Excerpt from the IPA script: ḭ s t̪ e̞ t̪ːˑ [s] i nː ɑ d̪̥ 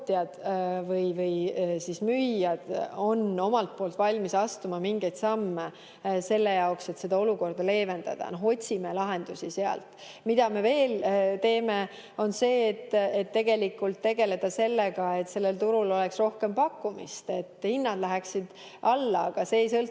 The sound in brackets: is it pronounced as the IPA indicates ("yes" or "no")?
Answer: no